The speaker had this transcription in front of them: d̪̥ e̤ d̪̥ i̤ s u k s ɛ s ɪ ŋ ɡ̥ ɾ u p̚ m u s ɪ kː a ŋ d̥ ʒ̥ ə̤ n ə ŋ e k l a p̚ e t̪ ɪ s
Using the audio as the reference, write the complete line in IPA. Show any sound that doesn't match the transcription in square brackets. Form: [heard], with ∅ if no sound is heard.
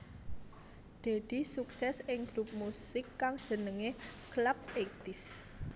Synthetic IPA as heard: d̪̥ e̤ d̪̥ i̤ s u k s ɛ s ɪ ŋ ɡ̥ ɾ u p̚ m u s ɪ kː a ŋ d̥ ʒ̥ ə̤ n ə ŋ e k l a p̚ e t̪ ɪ s